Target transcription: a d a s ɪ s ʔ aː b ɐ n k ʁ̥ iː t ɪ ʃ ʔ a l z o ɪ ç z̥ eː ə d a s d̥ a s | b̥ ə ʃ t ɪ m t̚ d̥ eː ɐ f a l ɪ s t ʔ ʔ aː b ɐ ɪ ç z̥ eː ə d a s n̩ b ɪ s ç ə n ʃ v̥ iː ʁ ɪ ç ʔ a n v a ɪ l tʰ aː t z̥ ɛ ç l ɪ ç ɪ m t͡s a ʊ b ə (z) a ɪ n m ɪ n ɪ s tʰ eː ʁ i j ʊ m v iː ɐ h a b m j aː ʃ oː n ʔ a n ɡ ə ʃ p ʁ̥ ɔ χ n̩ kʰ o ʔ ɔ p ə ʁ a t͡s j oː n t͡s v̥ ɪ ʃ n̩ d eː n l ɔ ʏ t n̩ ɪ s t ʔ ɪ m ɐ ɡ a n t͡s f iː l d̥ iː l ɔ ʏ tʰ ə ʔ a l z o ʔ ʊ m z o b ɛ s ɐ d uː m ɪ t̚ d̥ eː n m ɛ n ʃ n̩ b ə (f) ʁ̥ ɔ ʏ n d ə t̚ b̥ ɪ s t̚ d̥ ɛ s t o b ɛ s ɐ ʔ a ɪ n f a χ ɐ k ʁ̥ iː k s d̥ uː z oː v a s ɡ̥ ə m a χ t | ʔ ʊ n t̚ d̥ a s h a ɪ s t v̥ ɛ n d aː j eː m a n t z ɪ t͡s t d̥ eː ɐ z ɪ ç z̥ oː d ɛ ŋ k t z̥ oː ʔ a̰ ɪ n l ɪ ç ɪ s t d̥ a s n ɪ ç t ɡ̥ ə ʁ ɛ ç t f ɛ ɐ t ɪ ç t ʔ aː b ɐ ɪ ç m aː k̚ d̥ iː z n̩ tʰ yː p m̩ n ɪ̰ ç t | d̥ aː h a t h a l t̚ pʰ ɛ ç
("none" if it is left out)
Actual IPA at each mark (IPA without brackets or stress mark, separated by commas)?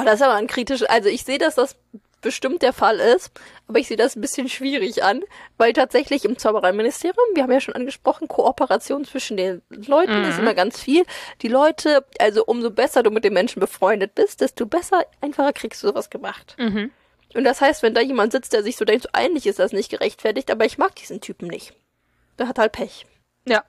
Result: ʁ, f